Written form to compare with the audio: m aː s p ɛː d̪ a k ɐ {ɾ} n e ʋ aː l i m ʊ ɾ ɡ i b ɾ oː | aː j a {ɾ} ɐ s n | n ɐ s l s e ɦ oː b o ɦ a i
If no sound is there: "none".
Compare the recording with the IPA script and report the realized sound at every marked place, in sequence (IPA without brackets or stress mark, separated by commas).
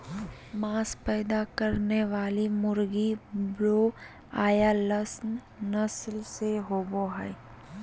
ɾ, l